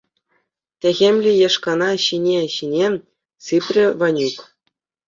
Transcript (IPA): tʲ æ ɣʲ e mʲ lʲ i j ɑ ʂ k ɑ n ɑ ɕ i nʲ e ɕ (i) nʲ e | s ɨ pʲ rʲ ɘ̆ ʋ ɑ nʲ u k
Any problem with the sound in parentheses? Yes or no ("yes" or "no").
no